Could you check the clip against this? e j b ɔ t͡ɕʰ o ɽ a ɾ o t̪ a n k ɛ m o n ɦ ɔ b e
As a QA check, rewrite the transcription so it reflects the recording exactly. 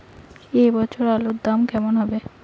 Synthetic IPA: e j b ɔ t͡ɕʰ o ɾ a l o d̪ a m k ɛ m o n ɦ ɔ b e